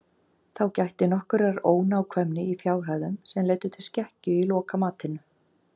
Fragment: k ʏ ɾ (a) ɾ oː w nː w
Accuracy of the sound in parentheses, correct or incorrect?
correct